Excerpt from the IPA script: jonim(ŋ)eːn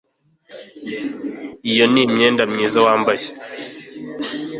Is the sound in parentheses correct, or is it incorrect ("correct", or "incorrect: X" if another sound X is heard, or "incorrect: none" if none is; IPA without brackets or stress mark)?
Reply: incorrect: ɲ